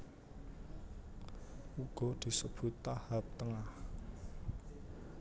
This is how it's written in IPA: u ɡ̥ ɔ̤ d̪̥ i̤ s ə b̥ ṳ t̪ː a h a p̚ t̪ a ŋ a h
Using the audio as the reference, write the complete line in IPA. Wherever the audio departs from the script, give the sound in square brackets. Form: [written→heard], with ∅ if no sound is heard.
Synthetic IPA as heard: u ɡ̥ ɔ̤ d̪̥ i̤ s ə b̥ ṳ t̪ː a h a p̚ t̪ [a→ə] ŋ a h